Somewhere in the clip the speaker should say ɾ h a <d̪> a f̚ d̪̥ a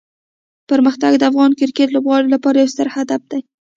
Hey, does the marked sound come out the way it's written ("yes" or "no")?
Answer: yes